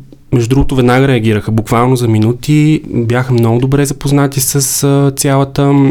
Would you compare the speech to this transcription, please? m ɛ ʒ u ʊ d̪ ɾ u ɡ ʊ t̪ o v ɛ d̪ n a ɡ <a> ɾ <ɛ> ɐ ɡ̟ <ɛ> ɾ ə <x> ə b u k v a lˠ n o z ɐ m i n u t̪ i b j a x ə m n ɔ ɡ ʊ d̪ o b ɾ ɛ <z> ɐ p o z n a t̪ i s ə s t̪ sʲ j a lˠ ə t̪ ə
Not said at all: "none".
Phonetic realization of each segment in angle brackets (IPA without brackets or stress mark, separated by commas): ə, ɛ, i, x, z